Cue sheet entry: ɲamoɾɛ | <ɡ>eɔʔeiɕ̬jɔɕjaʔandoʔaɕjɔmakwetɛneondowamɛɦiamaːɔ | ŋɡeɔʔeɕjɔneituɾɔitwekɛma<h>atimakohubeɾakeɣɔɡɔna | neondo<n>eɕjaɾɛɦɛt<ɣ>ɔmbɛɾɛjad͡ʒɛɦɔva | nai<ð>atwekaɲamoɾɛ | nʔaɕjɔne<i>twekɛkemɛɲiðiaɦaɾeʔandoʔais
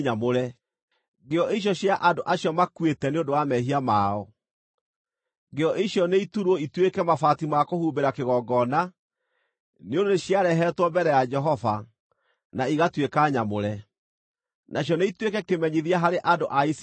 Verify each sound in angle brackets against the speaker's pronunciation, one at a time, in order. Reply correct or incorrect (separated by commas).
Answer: correct, incorrect, correct, incorrect, incorrect, correct